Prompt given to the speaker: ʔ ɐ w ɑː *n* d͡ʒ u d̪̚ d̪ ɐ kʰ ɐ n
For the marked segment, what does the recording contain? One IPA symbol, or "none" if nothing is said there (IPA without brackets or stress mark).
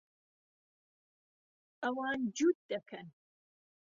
n